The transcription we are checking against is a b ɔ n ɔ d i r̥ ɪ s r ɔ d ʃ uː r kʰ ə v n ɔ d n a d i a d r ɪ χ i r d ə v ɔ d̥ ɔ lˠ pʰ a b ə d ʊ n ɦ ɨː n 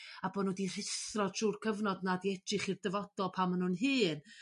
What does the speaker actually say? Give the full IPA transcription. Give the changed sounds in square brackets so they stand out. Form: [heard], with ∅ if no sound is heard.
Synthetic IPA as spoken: a b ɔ n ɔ d i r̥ ɪ s r ɔ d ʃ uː r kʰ ə v n ɔ d n a d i [ɛ] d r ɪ χ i r d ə v ɔ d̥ ɔ lˠ pʰ a [m] ə [n] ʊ n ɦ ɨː n